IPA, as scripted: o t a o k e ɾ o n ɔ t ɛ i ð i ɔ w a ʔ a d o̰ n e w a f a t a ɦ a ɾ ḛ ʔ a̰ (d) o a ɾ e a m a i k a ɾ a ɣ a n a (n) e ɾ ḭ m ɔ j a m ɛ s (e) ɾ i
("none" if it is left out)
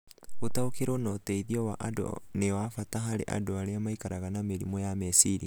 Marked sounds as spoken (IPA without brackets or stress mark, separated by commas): d, m, i